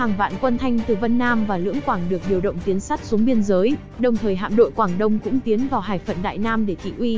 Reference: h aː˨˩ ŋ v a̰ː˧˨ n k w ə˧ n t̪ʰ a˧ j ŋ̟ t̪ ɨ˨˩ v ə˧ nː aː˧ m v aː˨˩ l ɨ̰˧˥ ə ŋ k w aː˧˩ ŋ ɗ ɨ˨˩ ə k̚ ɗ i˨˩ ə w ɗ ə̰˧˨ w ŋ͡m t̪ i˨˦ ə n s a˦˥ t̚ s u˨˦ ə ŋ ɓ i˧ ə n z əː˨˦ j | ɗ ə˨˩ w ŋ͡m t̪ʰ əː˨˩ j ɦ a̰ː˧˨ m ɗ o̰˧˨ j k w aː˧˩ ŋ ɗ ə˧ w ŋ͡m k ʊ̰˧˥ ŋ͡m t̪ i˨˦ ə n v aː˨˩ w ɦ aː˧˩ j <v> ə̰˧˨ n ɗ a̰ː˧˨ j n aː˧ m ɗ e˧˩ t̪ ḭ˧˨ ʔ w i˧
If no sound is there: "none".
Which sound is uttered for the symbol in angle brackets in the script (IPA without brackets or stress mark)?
f